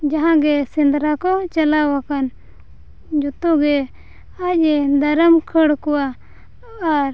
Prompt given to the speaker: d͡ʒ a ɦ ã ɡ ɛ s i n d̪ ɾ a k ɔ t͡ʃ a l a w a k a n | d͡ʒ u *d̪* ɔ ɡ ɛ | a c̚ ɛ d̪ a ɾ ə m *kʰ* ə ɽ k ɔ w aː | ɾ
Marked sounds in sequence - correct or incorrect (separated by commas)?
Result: incorrect, correct